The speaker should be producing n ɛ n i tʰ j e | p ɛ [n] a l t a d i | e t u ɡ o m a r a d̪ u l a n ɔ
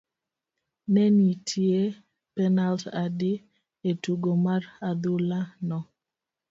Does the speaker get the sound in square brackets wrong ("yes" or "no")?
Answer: no